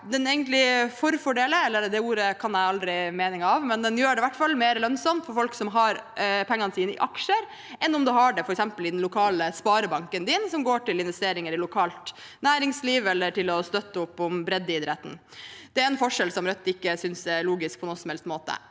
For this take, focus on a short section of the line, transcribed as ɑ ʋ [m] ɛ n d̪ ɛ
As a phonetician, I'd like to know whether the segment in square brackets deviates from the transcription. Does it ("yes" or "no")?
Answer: no